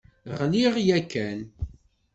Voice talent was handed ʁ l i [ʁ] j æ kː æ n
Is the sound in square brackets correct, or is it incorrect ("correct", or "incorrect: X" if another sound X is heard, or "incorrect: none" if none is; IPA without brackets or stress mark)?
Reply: correct